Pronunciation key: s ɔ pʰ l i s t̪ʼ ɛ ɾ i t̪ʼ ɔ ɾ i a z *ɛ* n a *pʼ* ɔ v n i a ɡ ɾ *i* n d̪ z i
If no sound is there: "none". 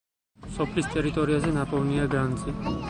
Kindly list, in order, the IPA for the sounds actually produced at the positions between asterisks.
ɛ, pʼ, a

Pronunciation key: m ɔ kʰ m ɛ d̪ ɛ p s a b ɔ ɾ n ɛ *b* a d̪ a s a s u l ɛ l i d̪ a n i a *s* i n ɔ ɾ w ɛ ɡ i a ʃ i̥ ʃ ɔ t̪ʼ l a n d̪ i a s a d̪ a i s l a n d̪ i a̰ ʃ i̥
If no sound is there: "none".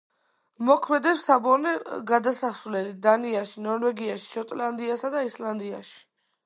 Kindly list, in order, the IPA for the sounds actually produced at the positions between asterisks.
ɡ, ʃ

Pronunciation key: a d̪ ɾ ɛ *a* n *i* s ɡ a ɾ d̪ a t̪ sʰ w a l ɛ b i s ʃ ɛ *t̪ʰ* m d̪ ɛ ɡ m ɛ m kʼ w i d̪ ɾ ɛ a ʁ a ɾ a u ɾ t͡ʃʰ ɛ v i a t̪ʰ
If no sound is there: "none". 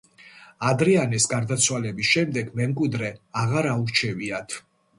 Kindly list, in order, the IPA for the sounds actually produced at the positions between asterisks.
a, ɛ, none

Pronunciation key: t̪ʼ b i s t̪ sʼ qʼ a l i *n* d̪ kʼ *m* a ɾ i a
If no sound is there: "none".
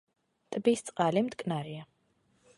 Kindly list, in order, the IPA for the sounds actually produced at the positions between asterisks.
m, n

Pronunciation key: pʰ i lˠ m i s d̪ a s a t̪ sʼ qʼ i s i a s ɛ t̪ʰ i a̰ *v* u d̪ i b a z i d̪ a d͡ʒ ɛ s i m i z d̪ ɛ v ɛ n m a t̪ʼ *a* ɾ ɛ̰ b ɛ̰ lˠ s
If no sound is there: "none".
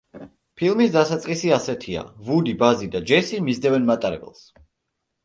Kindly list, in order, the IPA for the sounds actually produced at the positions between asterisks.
v, a

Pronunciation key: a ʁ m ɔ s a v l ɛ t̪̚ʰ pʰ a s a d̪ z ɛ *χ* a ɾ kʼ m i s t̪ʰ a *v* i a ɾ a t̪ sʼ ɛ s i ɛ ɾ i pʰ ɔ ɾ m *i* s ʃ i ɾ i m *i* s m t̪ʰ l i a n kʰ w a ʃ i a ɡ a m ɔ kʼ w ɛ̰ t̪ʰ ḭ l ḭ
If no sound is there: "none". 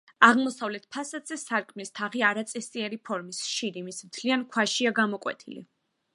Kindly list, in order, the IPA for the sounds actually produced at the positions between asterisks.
s, ʁ, i, i

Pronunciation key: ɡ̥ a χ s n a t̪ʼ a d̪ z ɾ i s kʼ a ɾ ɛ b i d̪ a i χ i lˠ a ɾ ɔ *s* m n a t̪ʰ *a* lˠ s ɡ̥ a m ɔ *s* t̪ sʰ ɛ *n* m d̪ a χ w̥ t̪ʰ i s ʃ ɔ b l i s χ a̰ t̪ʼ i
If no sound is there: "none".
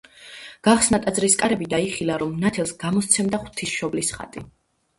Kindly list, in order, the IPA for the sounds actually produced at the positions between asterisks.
none, ɛ, s, none

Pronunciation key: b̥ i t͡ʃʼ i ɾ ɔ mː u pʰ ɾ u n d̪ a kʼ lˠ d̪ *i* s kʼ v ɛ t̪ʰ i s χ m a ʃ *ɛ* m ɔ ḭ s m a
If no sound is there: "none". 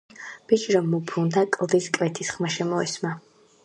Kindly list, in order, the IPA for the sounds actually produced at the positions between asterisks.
i, ɛ

